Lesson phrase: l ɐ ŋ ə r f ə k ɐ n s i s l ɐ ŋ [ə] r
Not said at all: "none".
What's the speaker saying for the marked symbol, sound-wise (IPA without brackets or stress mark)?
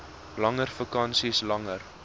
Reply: ə